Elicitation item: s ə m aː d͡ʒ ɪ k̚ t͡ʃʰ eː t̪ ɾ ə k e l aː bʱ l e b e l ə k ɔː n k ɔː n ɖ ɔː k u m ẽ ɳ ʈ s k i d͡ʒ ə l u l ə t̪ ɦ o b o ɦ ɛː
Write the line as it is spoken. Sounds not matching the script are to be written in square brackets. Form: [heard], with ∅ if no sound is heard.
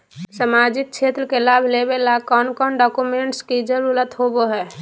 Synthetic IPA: s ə m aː d͡ʒ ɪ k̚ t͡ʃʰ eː t̪ ɾ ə k e l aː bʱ l e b e l [a] k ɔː n k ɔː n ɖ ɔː k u m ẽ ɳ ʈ s k i d͡ʒ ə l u l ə t̪ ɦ o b o ɦ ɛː